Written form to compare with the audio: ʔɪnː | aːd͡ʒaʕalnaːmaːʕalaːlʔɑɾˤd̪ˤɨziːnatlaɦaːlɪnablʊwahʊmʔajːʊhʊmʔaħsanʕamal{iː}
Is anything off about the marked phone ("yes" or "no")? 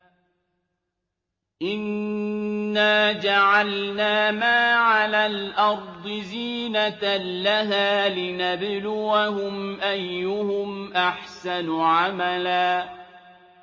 yes